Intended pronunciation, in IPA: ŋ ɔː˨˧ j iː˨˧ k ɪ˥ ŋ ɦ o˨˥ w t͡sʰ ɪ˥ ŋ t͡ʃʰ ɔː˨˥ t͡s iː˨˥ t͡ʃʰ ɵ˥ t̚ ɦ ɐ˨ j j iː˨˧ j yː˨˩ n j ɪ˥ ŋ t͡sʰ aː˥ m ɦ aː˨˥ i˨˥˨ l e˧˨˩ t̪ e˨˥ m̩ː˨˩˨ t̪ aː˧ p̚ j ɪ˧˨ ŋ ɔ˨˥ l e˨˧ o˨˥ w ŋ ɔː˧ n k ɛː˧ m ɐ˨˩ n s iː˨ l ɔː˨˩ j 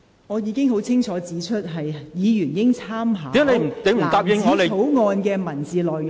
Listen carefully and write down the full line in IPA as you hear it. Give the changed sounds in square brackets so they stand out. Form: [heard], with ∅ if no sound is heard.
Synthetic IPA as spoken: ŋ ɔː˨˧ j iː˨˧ k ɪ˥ ŋ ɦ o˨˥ w t͡sʰ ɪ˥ ŋ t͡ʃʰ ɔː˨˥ t͡s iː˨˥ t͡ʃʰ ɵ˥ t̚ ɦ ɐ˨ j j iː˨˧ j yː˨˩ n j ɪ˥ ŋ t͡sʰ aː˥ m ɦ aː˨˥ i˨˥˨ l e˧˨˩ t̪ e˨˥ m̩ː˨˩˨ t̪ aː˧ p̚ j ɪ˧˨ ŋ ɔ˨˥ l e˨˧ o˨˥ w ŋ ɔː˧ n k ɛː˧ m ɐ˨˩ n [t͡s] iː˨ l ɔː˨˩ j